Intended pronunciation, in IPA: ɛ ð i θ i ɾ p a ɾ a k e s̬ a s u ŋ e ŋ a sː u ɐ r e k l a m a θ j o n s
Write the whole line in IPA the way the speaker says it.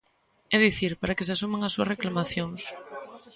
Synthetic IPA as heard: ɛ ð i θ i ɾ p a ɾ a k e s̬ a s u m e ŋ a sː u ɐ r e k l a m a θ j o ŋ s